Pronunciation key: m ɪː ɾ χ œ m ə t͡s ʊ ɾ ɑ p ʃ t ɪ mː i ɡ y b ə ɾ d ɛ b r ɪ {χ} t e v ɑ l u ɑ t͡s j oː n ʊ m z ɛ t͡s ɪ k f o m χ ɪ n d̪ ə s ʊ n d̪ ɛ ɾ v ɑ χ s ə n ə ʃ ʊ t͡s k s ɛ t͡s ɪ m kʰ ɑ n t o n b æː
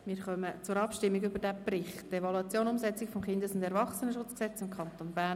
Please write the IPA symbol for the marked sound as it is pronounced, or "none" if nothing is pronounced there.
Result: χ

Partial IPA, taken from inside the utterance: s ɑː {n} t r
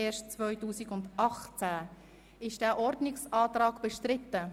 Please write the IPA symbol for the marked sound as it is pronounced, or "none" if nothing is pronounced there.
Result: none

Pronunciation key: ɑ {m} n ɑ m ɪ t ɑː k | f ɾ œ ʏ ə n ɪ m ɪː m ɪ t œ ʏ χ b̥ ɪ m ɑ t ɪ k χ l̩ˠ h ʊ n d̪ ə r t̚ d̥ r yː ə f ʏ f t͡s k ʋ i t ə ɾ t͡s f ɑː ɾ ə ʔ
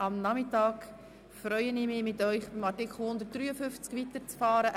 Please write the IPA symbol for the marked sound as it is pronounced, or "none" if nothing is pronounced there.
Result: m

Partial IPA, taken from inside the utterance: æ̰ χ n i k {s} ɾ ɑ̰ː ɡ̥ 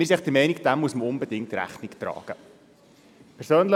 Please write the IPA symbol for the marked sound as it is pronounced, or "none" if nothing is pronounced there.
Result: t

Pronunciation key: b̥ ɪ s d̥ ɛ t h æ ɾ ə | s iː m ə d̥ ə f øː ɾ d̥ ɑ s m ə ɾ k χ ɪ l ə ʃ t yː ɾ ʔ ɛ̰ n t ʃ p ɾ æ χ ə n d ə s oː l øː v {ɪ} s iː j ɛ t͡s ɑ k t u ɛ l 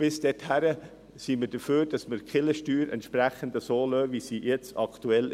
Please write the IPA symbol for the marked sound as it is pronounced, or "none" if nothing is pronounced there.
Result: i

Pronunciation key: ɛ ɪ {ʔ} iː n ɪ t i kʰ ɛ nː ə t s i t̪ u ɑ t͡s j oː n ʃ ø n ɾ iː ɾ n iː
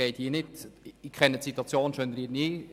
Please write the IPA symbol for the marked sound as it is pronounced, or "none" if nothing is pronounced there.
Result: t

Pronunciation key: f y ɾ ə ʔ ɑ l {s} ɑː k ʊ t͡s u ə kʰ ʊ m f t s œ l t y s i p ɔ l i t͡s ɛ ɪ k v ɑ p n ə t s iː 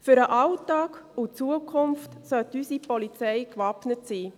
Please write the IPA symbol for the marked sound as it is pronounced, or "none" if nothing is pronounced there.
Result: t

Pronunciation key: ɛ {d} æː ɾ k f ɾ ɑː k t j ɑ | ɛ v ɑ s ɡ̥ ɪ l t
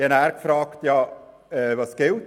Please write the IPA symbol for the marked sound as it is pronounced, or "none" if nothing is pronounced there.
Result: n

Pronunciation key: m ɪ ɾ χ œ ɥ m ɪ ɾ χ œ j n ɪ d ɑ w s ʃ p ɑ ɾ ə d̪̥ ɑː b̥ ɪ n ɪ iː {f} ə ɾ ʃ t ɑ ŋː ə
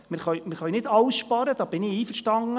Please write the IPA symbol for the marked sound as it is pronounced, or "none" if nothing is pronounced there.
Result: f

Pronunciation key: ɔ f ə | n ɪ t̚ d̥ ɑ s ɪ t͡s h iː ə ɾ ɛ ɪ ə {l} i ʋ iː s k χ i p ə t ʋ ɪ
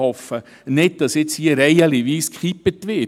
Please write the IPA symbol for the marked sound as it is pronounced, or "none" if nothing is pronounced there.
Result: l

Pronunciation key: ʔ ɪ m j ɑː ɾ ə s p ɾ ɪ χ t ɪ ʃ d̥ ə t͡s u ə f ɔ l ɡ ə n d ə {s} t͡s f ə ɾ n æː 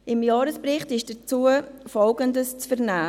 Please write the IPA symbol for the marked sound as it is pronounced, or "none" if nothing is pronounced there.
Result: s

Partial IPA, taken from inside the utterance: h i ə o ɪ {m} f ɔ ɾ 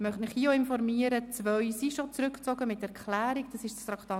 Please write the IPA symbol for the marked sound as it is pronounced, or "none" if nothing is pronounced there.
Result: n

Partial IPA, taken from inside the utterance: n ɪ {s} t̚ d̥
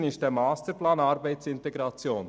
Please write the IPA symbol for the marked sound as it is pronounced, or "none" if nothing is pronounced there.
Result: s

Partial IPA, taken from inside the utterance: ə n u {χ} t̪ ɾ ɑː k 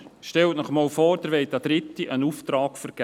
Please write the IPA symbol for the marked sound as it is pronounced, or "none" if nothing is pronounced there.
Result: f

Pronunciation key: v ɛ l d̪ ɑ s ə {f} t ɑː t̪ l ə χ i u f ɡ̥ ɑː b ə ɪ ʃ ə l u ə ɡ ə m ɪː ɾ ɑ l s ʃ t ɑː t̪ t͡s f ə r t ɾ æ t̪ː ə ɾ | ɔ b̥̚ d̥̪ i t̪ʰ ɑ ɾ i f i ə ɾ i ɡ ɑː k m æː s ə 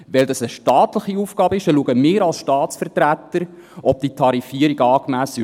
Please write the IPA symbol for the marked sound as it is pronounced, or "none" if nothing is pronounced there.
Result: ʃ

